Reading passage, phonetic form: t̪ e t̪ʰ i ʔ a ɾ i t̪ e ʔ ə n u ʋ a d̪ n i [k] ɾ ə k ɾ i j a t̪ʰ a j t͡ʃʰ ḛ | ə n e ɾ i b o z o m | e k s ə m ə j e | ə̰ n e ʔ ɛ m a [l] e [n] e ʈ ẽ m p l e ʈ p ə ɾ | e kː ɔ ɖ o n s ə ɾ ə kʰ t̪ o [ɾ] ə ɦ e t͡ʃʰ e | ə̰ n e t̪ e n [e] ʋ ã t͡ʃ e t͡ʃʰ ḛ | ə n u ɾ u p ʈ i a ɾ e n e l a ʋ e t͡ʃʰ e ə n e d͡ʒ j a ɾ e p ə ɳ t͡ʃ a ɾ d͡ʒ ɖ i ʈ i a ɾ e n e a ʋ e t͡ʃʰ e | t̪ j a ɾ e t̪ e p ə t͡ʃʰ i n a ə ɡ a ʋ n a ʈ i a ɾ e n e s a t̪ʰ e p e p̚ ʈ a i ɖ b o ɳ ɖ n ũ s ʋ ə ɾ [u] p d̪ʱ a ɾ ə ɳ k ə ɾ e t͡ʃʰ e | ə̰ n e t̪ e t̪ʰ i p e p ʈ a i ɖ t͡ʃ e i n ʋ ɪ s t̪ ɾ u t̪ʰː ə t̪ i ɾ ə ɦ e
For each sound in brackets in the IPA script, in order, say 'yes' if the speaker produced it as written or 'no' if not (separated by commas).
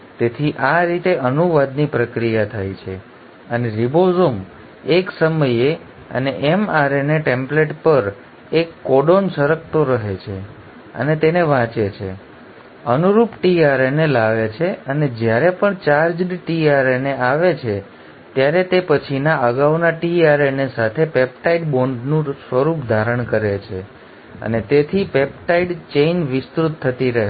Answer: no, no, yes, yes, yes, yes